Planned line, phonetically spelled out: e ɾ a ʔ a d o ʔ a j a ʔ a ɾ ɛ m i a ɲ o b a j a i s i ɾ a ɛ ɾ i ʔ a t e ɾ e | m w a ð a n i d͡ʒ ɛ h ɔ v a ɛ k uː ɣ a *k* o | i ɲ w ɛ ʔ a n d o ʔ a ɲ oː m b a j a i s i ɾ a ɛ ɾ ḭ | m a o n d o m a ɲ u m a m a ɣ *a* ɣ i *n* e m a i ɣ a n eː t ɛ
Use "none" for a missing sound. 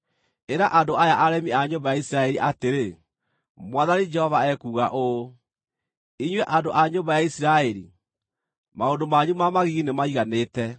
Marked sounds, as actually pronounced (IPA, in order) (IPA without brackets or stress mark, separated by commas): ʔ, i, n